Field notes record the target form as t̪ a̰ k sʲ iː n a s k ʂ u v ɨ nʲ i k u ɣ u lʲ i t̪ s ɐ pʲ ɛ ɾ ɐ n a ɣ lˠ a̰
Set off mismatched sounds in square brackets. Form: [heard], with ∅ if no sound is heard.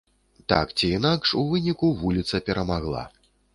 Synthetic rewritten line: t̪ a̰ k [t͡sʲ] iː n a [∅] k ʂ u v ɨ nʲ i k u [v] u lʲ i t̪ s ɐ pʲ ɛ ɾ ɐ [m] a ɣ lˠ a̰